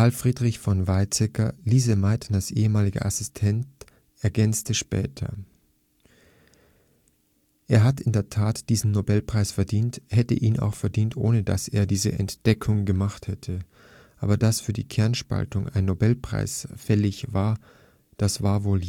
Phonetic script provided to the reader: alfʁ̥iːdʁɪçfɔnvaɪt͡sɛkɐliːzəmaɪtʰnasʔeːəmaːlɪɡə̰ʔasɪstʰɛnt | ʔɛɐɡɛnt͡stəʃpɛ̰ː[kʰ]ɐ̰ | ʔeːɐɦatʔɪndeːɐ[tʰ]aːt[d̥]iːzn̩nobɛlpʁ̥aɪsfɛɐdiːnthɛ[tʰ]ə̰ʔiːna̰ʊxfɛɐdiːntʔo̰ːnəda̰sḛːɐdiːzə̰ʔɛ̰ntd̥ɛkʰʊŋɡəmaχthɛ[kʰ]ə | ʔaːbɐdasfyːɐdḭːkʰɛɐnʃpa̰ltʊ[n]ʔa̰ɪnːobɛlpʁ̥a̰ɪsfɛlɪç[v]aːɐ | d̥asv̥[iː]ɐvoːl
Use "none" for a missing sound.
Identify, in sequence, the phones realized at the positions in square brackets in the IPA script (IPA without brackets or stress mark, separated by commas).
tʰ, tʰ, d̥, t, tʰ, ŋ, v, aː